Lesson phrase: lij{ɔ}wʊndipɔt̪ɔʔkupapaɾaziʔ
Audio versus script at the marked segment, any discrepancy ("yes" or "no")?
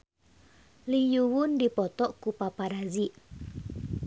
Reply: yes